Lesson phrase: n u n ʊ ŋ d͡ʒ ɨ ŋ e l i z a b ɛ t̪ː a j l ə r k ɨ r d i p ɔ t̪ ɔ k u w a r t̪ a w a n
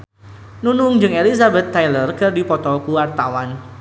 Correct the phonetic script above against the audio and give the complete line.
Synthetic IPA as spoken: n u n ʊ ŋ d͡ʒ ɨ ŋ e l i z a b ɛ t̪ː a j l ə r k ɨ r d i p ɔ t̪ ɔ k u w a r t̪ a w a n